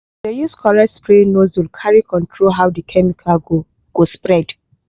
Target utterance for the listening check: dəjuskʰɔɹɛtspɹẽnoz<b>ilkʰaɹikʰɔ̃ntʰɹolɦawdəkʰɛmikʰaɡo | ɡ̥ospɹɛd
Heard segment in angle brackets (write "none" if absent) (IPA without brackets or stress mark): w